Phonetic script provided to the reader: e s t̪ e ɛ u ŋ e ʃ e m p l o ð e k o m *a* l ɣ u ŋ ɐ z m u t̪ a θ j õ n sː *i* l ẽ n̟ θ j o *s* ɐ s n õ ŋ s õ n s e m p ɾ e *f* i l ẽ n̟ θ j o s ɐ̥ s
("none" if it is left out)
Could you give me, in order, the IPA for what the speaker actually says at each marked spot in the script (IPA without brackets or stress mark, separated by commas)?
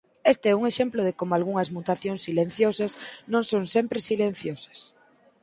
a, i, s, s